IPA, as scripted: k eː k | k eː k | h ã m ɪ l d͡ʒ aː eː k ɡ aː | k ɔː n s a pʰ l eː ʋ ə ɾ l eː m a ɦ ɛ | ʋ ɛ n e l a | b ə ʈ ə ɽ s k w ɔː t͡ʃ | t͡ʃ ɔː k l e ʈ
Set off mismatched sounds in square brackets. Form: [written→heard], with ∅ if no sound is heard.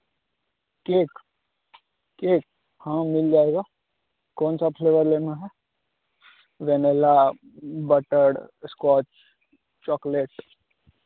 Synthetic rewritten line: k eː k | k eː k | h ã m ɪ l d͡ʒ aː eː [k→∅] ɡ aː | k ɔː n s a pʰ l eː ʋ ə ɾ l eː [m→n] a ɦ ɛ | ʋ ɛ n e l a | b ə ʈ ə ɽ s k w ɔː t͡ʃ | t͡ʃ ɔː k l e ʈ